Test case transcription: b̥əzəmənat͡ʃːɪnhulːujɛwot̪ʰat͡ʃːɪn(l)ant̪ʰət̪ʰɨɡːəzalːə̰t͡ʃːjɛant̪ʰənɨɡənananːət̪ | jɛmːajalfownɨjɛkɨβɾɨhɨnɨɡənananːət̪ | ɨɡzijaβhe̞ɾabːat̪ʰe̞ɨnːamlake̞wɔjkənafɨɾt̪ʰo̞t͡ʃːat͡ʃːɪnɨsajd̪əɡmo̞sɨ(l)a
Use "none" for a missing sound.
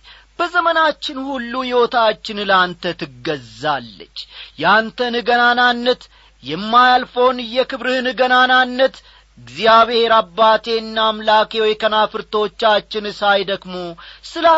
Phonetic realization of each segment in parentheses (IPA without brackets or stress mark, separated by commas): l, l